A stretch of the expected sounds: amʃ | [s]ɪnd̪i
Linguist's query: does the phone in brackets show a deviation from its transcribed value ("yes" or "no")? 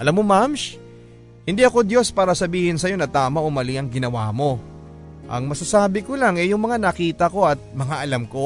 yes